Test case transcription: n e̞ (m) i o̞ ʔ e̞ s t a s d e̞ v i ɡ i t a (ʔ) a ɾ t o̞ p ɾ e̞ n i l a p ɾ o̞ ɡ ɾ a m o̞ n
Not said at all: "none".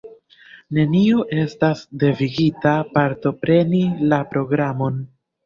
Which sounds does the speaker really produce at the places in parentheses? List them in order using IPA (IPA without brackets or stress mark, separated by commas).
n, p